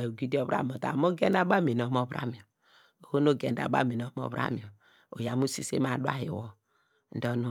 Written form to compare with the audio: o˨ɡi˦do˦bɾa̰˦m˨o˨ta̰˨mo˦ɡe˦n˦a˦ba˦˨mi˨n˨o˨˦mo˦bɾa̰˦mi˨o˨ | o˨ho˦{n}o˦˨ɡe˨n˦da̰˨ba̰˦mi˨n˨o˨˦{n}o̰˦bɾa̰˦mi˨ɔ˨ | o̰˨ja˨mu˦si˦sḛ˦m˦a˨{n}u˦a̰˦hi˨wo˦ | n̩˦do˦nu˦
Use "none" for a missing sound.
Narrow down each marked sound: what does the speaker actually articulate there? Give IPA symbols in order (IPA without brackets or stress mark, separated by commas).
n, m, d